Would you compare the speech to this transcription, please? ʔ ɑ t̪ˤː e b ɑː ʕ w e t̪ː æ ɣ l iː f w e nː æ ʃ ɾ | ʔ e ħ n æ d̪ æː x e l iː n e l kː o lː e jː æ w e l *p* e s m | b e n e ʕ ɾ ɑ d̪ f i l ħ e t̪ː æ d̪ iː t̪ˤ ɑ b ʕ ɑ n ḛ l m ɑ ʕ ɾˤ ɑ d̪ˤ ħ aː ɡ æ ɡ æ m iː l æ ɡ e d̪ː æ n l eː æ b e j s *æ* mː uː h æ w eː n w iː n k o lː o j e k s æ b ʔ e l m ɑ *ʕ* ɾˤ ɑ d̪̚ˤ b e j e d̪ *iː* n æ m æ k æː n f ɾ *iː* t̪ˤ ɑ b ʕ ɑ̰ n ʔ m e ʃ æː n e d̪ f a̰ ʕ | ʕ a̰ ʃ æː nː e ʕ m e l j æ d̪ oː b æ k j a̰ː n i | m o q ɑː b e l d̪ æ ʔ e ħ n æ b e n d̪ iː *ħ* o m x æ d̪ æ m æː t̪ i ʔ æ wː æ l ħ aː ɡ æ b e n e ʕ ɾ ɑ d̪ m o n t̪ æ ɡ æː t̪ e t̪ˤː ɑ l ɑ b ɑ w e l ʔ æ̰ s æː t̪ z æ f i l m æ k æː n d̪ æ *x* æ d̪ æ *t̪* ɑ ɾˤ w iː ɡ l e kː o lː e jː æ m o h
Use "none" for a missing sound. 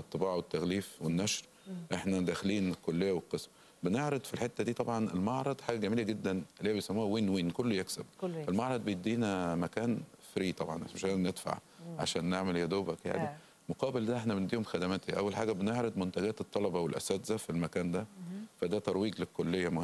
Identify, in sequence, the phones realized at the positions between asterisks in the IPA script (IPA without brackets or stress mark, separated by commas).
q, æ, ʕ, iː, iː, h, f, t̪